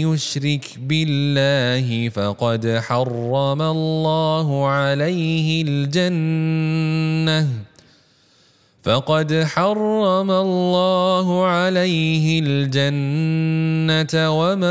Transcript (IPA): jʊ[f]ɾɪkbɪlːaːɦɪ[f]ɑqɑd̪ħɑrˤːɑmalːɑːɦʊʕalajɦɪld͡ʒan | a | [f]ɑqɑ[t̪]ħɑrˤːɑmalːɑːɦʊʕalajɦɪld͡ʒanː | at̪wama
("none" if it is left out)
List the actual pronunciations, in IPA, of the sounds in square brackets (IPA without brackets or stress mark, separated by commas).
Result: ʃ, f, f, d̪